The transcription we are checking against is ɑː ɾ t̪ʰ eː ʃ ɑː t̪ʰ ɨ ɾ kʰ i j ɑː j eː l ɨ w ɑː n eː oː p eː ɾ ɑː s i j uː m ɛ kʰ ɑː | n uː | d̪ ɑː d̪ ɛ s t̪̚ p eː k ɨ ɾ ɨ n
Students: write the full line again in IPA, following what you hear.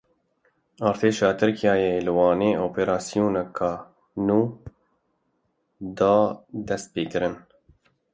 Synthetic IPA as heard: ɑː ɾ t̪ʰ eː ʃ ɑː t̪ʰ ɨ ɾ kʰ i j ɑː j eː l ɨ w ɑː n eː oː p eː ɾ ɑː s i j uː n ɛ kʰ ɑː | n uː | d̪ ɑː d̪ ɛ s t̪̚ p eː k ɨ ɾ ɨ n